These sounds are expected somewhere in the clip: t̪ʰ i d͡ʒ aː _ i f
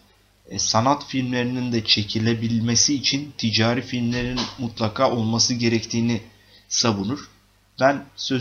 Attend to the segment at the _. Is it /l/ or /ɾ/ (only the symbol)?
ɾ